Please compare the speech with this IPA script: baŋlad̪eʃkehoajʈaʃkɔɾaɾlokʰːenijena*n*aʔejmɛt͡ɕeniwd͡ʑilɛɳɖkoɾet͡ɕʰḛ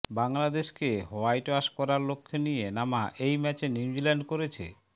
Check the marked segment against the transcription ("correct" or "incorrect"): incorrect